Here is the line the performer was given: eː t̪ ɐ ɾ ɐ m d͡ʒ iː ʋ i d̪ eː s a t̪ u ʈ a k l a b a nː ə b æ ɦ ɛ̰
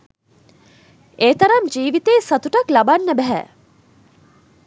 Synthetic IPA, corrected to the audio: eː t̪ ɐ ɾ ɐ m d͡ʒ iː ʋ i t̪ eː s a t̪ u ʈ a k l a b a nː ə b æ ɦ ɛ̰